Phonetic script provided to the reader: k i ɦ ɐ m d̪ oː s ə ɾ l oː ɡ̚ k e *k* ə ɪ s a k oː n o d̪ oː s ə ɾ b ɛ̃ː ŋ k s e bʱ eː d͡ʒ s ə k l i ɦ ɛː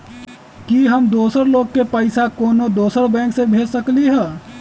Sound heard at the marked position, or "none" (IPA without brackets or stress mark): p